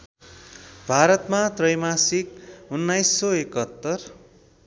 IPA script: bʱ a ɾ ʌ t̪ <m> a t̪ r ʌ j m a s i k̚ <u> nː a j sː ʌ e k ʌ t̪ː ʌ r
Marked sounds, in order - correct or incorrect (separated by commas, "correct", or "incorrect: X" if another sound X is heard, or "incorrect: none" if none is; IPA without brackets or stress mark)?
correct, correct